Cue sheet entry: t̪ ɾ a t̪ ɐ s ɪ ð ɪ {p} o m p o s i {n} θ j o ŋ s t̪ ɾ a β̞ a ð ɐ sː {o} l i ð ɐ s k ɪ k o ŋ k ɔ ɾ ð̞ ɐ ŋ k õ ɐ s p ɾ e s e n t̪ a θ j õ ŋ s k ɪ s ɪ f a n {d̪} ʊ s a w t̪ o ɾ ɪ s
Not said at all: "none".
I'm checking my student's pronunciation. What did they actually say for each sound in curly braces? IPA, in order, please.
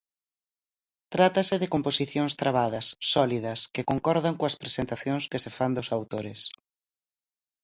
k, none, ɔ, d̪

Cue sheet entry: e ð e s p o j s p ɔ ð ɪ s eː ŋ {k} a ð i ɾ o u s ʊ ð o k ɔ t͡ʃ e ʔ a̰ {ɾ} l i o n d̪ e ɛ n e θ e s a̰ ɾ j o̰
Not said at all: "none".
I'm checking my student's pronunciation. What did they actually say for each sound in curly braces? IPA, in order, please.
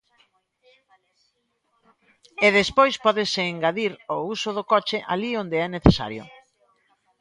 ɡ, none

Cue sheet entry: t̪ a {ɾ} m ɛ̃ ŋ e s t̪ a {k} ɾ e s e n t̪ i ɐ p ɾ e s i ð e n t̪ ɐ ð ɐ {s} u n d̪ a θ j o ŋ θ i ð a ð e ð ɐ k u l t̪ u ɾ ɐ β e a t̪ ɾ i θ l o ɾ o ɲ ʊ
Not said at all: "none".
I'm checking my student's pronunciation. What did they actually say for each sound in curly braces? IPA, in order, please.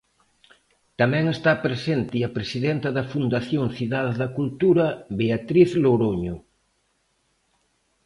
none, p, f

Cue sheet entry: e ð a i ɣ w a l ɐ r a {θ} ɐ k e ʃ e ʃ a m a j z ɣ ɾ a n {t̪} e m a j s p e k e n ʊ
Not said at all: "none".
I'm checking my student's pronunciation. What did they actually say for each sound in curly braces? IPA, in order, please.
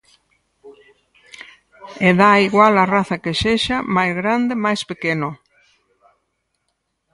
θ, d̪

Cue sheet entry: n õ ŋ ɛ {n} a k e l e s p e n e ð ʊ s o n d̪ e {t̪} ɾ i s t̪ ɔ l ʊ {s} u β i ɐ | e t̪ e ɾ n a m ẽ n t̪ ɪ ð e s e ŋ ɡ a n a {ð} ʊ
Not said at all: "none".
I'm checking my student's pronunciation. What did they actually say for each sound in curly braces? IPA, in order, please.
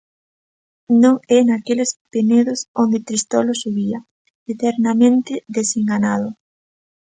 n, t̪, s, ð

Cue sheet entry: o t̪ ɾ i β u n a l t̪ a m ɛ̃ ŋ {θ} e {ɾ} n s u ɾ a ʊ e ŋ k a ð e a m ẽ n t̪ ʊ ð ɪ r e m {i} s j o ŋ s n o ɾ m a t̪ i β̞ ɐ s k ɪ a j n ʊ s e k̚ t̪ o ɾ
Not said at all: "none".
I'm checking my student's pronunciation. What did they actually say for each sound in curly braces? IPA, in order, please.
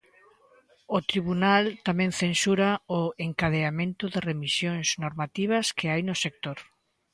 θ, none, i

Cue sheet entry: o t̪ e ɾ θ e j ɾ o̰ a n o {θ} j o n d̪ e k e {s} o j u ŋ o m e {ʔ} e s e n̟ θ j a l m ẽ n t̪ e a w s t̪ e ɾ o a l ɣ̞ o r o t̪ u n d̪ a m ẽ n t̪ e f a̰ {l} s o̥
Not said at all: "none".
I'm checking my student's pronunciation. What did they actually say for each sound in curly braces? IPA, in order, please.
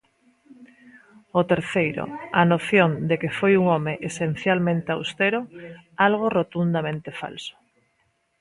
θ, f, ʔ, l

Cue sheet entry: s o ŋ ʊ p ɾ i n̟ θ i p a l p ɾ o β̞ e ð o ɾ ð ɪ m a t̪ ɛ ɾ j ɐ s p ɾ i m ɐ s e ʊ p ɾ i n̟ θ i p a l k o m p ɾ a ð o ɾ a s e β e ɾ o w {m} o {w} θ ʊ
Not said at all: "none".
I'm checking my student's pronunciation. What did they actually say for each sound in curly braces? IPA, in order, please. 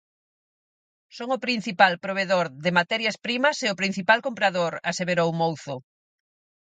m, w

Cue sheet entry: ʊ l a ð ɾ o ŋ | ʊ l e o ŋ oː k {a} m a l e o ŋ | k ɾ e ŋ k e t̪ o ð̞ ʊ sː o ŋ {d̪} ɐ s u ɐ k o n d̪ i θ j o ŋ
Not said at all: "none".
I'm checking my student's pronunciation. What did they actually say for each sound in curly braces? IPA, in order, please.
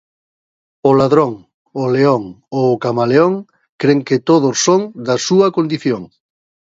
a, d̪

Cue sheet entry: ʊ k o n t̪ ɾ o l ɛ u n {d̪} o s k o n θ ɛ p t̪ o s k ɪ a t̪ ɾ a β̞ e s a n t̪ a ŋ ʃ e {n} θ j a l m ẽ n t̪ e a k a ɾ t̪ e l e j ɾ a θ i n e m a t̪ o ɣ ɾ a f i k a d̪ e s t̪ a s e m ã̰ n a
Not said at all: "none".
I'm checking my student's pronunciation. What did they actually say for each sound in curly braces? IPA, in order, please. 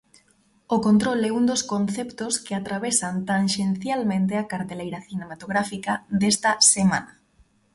d̪, n

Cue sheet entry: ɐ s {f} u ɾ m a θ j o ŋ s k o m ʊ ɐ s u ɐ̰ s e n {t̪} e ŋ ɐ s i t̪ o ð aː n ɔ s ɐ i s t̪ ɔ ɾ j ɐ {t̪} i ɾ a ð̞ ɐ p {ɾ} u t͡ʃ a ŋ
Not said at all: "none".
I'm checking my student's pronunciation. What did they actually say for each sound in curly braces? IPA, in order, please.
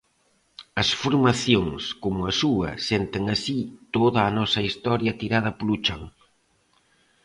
f, t̪, t̪, l

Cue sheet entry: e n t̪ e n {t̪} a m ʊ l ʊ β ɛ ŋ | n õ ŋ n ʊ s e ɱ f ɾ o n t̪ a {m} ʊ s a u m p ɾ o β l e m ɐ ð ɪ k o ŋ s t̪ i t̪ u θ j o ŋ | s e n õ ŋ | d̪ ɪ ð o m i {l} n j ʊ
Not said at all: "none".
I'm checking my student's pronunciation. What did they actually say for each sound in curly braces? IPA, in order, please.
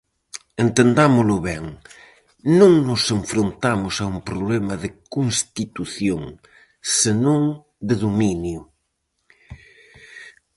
d̪, m, none

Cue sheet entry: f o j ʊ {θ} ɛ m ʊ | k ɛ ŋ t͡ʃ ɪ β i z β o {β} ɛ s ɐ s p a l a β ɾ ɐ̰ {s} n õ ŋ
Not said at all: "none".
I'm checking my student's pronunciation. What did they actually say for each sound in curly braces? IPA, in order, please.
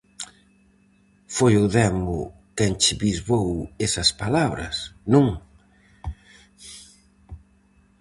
ð, w, s

